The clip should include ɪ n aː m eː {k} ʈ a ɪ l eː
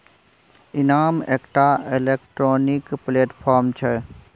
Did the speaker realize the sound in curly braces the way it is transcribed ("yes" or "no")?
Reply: yes